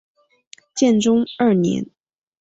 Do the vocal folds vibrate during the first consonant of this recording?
no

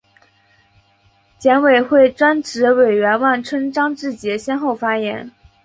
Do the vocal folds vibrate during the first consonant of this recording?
no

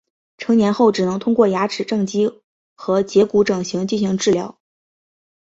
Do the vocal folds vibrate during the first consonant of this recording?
no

